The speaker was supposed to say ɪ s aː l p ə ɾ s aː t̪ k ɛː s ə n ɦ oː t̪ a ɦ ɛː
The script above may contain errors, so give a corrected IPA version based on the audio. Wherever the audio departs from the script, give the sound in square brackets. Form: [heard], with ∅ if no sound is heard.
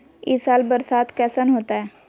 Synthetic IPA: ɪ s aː l [b] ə ɾ s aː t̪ k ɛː s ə n ɦ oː t̪ a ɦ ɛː